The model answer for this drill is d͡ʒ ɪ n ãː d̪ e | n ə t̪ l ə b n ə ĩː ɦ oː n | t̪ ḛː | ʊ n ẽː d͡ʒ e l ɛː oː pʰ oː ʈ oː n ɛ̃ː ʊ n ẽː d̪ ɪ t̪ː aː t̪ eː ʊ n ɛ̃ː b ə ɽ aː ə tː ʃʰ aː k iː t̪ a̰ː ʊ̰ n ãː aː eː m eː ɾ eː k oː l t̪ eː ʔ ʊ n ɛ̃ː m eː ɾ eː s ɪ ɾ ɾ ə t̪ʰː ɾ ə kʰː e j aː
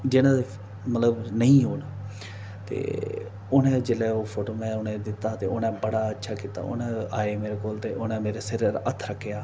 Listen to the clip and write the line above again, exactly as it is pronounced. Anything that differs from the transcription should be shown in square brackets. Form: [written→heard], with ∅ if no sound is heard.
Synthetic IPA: d͡ʒ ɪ n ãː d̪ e | [n→m] ə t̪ l ə b n ə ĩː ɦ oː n | t̪ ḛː | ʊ n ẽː d͡ʒ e l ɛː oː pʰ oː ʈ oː [n→m] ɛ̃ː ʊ n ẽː d̪ ɪ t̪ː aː t̪ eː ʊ n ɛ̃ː b ə ɽ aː ə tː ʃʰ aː k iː t̪ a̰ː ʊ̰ n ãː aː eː m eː ɾ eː k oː l t̪ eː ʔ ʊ n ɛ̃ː m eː ɾ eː s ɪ ɾ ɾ ə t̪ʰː ɾ ə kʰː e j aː